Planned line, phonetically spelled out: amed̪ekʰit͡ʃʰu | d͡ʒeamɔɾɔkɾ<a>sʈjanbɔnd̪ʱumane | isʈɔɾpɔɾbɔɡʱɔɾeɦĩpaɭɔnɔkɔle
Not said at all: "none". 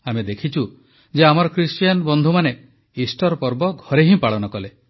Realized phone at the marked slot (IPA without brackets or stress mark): i